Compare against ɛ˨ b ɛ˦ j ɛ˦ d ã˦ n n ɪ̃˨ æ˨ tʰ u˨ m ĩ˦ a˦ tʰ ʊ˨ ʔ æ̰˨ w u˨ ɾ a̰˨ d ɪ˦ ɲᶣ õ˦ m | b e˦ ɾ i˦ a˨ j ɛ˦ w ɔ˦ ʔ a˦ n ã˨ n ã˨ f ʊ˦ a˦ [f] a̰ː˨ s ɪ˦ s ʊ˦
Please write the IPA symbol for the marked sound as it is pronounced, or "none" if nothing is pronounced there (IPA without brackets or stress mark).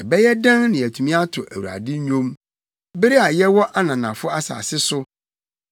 s